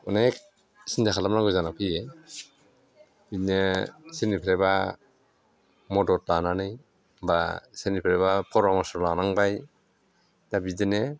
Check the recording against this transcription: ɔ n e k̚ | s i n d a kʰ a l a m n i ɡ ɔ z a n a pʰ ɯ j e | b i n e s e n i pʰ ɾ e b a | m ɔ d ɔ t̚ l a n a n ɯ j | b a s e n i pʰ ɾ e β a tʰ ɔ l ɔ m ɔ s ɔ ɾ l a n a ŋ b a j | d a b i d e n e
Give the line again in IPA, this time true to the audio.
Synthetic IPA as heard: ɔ n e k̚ | s i n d a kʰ a l a m n a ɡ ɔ z a n a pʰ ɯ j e | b i n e s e n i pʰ ɾ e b a | m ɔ d ɔ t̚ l a n a n ɯ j | b a s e n i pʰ ɾ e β a pʰ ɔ ɾ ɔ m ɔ s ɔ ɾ l a n a ŋ b a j | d a b i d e n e